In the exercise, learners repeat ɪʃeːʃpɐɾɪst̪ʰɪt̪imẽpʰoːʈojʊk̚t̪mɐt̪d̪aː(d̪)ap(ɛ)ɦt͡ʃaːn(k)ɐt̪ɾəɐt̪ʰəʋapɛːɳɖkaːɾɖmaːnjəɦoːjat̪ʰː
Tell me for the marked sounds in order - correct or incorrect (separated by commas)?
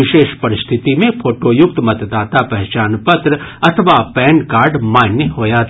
incorrect, correct, incorrect